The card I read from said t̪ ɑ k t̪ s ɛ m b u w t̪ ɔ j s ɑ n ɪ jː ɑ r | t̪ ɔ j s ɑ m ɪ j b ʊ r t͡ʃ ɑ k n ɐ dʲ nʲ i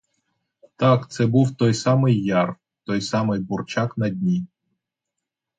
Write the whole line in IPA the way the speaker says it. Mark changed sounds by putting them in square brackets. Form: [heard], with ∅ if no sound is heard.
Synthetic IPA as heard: t̪ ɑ k t̪ s ɛ [∅] b u w t̪ ɔ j s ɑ [m] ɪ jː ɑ r | t̪ ɔ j s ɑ m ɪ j b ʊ r t͡ʃ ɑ k n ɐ dʲ nʲ i